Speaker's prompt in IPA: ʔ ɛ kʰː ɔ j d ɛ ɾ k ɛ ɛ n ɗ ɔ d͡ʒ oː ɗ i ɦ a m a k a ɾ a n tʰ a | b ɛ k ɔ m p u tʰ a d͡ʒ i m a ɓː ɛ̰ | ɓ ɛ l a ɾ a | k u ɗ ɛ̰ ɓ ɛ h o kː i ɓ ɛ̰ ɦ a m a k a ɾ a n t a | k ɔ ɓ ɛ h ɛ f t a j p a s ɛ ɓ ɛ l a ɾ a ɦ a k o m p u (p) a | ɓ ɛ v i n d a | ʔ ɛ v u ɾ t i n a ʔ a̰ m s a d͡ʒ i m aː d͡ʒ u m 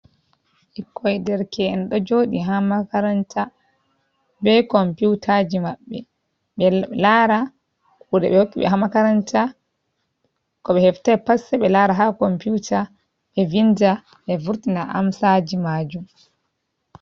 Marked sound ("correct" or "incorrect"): incorrect